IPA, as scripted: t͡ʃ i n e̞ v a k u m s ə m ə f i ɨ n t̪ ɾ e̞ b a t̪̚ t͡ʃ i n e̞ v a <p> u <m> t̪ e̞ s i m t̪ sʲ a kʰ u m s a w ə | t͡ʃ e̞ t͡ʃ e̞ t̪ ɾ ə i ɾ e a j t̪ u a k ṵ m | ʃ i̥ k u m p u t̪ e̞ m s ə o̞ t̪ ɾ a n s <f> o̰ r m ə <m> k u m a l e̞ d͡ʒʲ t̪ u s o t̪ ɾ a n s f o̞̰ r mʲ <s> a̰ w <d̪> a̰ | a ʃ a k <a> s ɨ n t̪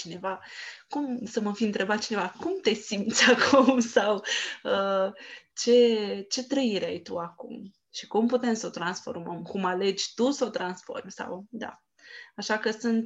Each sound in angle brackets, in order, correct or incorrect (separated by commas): incorrect, correct, correct, correct, correct, correct, incorrect